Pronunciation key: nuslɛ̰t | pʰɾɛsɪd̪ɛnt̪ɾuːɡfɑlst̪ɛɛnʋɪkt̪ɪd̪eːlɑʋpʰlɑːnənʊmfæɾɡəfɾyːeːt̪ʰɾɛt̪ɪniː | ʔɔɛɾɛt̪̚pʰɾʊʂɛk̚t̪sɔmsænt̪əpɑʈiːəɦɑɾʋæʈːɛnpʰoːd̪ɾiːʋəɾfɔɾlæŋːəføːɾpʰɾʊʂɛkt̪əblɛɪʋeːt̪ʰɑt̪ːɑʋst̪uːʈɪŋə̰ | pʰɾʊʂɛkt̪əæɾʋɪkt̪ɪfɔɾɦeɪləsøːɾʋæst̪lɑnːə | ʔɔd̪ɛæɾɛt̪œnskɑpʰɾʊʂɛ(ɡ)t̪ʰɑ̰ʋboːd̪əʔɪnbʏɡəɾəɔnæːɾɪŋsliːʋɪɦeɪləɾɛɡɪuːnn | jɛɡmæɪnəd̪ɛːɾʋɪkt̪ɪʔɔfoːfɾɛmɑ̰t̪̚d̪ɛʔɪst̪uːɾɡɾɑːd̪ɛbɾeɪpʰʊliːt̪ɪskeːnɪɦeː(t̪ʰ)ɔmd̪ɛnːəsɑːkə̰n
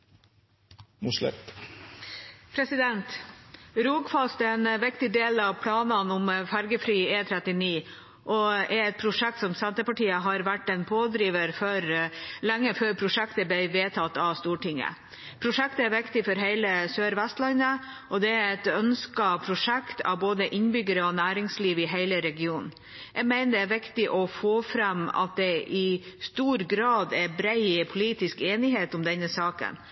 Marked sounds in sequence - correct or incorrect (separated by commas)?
incorrect, incorrect